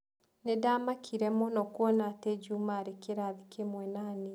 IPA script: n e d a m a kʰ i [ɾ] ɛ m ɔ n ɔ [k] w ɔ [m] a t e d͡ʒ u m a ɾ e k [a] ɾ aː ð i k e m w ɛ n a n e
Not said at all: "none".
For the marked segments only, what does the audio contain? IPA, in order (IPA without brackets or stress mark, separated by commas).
ɾ, k, n, e